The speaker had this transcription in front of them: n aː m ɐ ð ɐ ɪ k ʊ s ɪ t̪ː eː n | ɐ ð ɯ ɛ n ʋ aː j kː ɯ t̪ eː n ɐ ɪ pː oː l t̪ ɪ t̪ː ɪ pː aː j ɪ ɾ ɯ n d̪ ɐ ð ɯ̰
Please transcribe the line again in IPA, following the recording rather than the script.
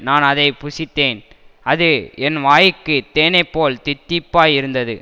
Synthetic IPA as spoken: n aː n ɐ ð ɐ ɪ p ʊ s ɪ t̪ː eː n | ɐ ð ɯ ɛ n ʋ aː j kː ɯ t̪ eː n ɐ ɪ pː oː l t̪ ɪ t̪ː ɪ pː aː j ɪ ɾ ɯ n d̪ ɐ ð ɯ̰

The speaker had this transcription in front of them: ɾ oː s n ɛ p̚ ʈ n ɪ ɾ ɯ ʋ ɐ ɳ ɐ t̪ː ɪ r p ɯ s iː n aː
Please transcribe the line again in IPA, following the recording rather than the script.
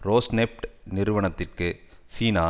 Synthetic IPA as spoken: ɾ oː s n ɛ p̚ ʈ n ɪ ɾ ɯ ʋ ɐ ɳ ɐ t̪ː ɪ r k ɯ s iː n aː

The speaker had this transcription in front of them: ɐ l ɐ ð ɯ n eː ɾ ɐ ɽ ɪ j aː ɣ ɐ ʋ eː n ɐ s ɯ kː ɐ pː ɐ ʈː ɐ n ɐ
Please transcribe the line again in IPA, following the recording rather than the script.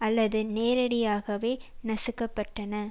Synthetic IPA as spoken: ɐ lː ɐ ð ɯ n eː ɾ ɐ ɽ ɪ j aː ɣ ɐ ʋ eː n ɐ s ɯ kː ɐ pː ɐ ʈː ɐ n ɐ

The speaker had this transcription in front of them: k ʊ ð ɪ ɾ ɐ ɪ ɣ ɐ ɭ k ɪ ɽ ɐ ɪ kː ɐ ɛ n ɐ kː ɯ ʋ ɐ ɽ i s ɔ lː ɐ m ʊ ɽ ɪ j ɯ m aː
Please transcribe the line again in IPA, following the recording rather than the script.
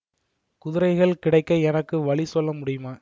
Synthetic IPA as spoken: k ʊ ð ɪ ɾ ɐ ɪ ɣ ɐ ɭ k ɪ ɽ ɐ ɪ kː ɐ ɛ n ɐ kː ɯ ʋ ɐ ɭ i s ɔ lː ɐ m ʊ ɽ ɪ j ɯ m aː

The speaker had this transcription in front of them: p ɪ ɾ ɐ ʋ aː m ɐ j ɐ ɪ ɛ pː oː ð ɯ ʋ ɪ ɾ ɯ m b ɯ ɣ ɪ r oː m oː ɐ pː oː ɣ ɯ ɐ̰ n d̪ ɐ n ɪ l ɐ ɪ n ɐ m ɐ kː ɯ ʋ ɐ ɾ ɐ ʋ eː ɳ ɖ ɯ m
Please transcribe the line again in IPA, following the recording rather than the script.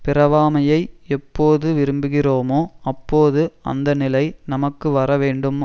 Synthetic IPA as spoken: p ɪ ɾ ɐ ʋ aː m ɐ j ɐ ɪ ɛ pː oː ð ɯ ʋ ɪ ɾ ɯ m b ɯ ɣ ɪ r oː m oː ɐ pː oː ð ɯ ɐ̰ n d̪ ɐ n ɪ l ɐ ɪ n ɐ m ɐ kː ɯ ʋ ɐ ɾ ɐ ʋ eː ɳ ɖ ɯ m

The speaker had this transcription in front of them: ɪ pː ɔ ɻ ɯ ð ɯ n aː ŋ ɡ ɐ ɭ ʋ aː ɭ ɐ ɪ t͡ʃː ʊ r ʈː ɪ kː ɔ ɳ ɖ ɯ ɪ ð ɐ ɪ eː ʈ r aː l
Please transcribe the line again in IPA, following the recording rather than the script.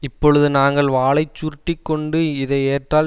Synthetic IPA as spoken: ɪ pː ɔ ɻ ɯ ð ɯ n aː ŋ ɡ ɐ ɭ ʋ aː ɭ ɐ ɪ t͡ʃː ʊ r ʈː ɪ kː ɔ ɳ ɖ ɯ ɪ ð ɐ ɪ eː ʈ r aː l

